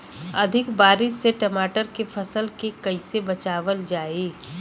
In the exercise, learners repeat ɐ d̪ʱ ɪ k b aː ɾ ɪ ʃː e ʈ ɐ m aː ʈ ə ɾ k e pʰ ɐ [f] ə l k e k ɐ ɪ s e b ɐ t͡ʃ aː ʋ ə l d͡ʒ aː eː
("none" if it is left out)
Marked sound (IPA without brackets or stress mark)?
s